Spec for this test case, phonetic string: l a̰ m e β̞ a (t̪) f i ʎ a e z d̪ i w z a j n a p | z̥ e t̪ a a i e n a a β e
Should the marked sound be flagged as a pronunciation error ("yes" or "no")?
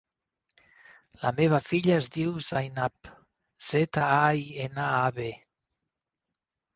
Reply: yes